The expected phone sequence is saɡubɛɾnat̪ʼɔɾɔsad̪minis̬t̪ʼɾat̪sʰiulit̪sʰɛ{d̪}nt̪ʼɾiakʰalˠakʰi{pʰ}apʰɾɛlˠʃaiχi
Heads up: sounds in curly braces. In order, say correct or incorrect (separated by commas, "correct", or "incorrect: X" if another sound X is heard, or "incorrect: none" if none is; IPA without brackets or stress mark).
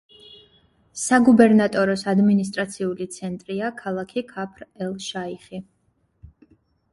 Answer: incorrect: none, incorrect: kʰ